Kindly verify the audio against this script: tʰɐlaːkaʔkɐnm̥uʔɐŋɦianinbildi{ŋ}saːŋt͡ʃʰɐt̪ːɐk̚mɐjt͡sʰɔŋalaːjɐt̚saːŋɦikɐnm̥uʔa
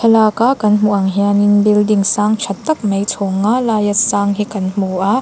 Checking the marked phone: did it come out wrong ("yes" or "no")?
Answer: no